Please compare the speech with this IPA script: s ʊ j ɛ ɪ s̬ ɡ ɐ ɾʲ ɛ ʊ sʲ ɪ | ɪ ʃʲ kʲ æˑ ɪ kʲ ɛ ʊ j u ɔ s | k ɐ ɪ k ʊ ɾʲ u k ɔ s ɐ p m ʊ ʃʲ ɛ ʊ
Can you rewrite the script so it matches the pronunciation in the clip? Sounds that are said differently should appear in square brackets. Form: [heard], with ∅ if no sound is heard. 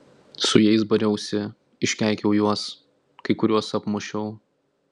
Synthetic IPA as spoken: s ʊ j ɛ ɪ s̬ [b] ɐ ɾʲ ɛ ʊ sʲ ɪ | ɪ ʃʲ kʲ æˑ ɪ kʲ ɛ ʊ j u ɔ s | k ɐ ɪ k ʊ ɾʲ u [∅] ɔ s ɐ p m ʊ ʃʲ ɛ ʊ